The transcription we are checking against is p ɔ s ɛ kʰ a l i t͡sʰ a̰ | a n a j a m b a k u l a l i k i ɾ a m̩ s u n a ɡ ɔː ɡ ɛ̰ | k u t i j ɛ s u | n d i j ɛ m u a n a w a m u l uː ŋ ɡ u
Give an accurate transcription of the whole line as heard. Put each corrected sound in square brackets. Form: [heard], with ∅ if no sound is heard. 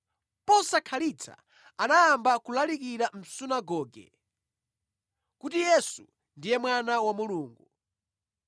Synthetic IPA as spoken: p ɔ s [a] kʰ a l i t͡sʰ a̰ | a n a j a m b a k u l a l i k i ɾ a m̩ s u n a ɡ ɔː ɡ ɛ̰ | k u t i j ɛ s u | n d i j ɛ m [w] a n a w a m u l uː ŋ ɡ u